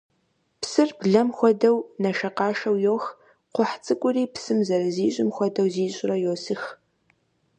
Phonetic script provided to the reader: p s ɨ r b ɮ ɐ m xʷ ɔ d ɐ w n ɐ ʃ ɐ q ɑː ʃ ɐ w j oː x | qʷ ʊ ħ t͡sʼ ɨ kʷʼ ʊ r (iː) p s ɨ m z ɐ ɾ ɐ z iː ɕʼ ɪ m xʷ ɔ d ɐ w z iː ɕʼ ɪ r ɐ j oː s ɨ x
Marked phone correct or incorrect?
correct